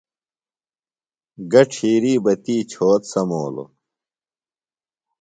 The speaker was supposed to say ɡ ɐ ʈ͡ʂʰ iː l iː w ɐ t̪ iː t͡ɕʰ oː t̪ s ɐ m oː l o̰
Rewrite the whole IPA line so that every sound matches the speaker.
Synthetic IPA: ɡ ɐ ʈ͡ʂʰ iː ɾ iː b ɐ t̪ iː t͡ɕʰ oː t̪ s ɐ m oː l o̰